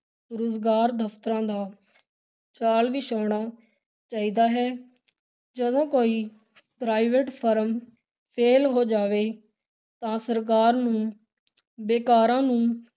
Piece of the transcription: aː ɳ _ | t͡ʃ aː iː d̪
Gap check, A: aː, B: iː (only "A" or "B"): A